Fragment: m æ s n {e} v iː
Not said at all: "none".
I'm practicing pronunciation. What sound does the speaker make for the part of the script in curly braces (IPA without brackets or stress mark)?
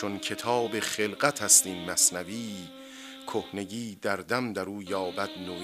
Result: æ